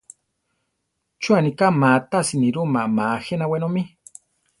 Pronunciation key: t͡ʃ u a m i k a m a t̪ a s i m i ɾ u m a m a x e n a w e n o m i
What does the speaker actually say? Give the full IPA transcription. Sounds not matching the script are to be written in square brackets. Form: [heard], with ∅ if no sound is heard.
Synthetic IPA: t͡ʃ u a [n] i k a m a t̪ a s i [n] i ɾ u m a m a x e n a w e n o m i